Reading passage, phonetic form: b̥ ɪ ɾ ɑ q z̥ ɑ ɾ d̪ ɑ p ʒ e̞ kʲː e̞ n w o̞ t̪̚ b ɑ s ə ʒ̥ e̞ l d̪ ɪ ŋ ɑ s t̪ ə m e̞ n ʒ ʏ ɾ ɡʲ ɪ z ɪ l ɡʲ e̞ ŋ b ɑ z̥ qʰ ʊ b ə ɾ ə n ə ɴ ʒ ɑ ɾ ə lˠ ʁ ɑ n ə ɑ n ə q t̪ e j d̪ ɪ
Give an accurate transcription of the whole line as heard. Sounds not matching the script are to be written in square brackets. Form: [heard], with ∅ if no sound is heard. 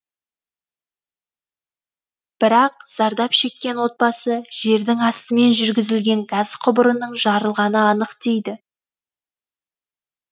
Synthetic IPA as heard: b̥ ɪ ɾ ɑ q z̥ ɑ ɾ d̪ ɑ p [ʃ] e̞ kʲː e̞ n w o̞ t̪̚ b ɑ s ə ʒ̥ e̞ [ɾ] d̪ ɪ ŋ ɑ s t̪ ə m e̞ n ʒ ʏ ɾ ɡʲ ɪ z ɪ l ɡʲ e̞ ŋ [ɡ] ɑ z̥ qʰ ʊ b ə ɾ ə n ə ɴ ʒ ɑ ɾ ə lˠ ʁ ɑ n ə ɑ n ə q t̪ e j d̪ ɪ

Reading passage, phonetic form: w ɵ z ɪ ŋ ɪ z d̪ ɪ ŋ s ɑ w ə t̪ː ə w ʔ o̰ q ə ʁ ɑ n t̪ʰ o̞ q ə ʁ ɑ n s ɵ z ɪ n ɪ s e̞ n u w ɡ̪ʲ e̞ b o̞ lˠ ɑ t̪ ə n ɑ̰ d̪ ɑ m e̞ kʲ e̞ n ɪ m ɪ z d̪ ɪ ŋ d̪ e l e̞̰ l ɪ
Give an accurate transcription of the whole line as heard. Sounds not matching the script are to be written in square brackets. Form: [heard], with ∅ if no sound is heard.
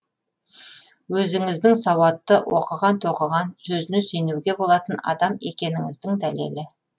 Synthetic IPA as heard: w ɵ z ɪ ŋ ɪ z d̪ ɪ ŋ s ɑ w [ɑ] t̪ː ə w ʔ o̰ q ə ʁ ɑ n t̪ʰ o̞ q ə ʁ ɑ n s ɵ z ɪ n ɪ s e̞ n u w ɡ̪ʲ e̞ b o̞ lˠ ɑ t̪ ə n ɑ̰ d̪ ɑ m e̞ kʲ e̞ n ɪ [ŋ] ɪ z d̪ ɪ ŋ d̪ [æ] l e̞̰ l ɪ

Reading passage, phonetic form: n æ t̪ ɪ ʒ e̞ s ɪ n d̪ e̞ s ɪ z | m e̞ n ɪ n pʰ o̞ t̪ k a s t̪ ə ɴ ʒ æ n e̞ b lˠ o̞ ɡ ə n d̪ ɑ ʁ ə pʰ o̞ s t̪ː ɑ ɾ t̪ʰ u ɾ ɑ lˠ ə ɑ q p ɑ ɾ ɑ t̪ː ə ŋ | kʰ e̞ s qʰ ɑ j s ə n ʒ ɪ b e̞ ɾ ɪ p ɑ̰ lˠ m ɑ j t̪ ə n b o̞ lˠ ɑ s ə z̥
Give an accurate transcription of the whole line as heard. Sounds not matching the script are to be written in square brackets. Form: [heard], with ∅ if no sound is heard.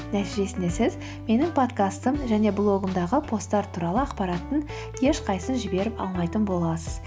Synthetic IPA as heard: n æ t̪ [i] ʒ e̞ s ɪ n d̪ e̞ s ɪ z | m e̞ n ɪ [ŋ] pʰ o̞ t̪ k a s t̪ ə [m] ʒ æ n e̞ b lˠ o̞ ɡ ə [m] d̪ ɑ ʁ ə pʰ o̞ s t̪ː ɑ ɾ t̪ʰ u ɾ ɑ lˠ ə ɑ q p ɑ ɾ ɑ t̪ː ə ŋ | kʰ e̞ [ʃ] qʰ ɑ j s ə n ʒ ɪ b e̞ ɾ ɪ p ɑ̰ lˠ m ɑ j t̪ ə n b o̞ lˠ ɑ s ə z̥

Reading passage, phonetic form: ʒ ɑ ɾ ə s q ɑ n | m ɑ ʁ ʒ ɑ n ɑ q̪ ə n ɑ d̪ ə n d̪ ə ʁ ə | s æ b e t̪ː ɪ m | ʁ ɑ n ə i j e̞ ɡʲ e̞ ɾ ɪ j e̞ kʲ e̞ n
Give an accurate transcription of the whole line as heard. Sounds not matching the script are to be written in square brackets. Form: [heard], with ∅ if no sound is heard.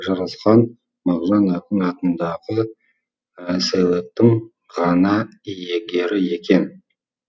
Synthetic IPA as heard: ʒ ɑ ɾ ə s q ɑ n | m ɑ ʁ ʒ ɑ n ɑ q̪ ə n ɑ [t̪] ə n d̪ [ɑ] ʁ ə | s æ [w] e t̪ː ɪ [ŋ] | ʁ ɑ n [ɑ] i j e̞ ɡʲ e̞ ɾ ɪ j e̞ kʲ e̞ n

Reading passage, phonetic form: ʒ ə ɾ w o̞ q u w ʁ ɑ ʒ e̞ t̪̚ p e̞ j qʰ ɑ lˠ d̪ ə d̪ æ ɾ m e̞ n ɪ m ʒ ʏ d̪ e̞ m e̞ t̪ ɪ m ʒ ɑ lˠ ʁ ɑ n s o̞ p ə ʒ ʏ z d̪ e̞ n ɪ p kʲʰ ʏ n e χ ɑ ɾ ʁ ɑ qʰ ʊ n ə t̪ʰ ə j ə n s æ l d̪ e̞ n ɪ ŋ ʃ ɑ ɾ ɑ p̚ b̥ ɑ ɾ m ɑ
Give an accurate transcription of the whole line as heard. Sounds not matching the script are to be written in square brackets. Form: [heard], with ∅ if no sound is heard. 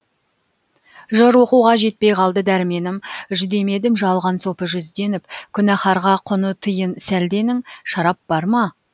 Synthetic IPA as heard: ʒ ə ɾ w o̞ q u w ʁ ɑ ʒ e̞ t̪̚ p e̞ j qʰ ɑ lˠ d̪ ə d̪ æ ɾ m e̞ n ɪ m ʒ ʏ d̪ e̞ m e̞ [d̪] ɪ m ʒ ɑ lˠ ʁ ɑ n s o̞ p ə ʒ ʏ z d̪ e̞ n ɪ p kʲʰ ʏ n [æ] χ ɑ ɾ ʁ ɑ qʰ ʊ n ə t̪ʰ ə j ə n s æ l d̪ e̞ n ɪ ŋ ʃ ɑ ɾ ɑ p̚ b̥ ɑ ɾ m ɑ

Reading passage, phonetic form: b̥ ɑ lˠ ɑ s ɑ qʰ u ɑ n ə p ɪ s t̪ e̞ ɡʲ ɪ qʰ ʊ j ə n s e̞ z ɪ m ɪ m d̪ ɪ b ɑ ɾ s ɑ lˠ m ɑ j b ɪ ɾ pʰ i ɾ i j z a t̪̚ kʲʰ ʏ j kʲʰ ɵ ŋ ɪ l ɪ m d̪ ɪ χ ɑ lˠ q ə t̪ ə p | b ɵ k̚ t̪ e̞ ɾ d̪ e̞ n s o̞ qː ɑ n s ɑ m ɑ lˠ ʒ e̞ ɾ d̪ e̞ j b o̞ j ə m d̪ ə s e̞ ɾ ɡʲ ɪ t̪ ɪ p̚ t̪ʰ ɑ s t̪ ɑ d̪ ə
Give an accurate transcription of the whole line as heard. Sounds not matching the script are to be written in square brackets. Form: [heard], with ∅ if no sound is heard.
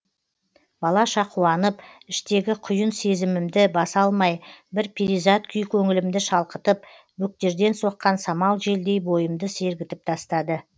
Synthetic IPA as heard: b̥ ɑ lˠ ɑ [ʃ] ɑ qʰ u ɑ n ə p ɪ [ʃ] t̪ e̞ ɡʲ ɪ qʰ ʊ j ə n s e̞ z ɪ m ɪ m d̪ ɪ b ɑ [∅] s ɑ lˠ m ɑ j b ɪ ɾ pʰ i ɾ i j z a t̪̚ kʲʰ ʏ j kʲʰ ɵ ŋ ɪ l ɪ m d̪ ɪ [ʃ] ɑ lˠ q ə t̪ ə p | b ɵ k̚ t̪ e̞ ɾ d̪ e̞ n s o̞ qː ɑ n s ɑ m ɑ lˠ ʒ e̞ [l] d̪ e̞ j b o̞ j ə m d̪ ə s e̞ ɾ ɡʲ ɪ t̪ ɪ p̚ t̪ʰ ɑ s t̪ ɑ d̪ ə

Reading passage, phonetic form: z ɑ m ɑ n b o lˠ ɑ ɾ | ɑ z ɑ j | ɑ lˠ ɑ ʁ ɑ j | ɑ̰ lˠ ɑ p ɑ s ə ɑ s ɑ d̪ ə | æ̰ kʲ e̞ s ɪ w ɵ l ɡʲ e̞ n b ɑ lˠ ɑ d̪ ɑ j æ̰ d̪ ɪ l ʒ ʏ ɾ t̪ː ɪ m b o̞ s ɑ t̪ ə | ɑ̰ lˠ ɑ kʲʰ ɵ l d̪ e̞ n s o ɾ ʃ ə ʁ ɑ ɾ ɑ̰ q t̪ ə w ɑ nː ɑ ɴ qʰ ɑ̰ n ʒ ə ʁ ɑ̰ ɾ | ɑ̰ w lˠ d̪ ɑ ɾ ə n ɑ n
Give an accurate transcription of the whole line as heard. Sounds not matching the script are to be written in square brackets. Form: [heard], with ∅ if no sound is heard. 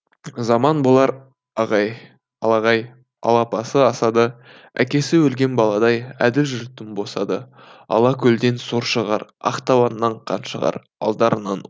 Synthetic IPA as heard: z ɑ m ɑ n b o lˠ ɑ ɾ | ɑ [ʁ] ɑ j | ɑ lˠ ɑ ʁ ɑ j | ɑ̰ lˠ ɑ p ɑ s ə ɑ s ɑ d̪ ə | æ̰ kʲ e̞ s ɪ w ɵ l ɡʲ e̞ n b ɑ lˠ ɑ d̪ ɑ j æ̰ d̪ ɪ l ʒ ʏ ɾ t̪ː ɪ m b o̞ s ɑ [d̪] ə | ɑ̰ lˠ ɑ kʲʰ ɵ l d̪ e̞ n s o ɾ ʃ ə ʁ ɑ ɾ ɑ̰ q t̪ [ɑ] w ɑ nː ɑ ɴ qʰ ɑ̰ n [ʃ] ə ʁ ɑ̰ ɾ | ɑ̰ [∅] lˠ d̪ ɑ ɾ ə n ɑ n

